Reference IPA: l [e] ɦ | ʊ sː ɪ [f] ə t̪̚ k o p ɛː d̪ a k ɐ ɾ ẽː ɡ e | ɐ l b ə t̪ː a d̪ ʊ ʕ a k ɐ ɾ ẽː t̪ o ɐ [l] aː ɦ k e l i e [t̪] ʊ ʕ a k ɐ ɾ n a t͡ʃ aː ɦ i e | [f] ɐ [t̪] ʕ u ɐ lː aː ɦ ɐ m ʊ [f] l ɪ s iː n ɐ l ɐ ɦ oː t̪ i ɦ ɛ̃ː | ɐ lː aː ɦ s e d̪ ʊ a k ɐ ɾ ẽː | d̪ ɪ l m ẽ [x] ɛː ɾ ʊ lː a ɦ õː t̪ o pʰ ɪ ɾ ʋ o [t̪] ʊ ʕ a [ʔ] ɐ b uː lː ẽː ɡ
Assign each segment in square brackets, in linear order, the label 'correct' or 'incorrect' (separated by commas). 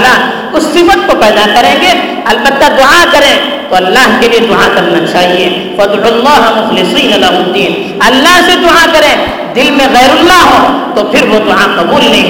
incorrect, correct, incorrect, incorrect, correct, incorrect, incorrect, incorrect, incorrect, incorrect